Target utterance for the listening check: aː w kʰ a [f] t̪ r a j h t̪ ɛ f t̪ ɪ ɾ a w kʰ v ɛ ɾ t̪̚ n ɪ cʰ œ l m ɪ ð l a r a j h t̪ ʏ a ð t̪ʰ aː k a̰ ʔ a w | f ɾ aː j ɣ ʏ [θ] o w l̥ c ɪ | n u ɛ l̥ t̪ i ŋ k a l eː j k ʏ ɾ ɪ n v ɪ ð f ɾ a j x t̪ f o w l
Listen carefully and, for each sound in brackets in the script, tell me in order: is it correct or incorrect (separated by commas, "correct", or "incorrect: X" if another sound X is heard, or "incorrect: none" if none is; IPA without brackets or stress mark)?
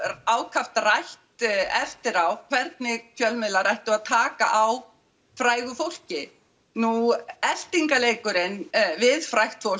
correct, incorrect: f